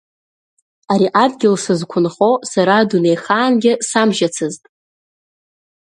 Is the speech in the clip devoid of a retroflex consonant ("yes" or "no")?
yes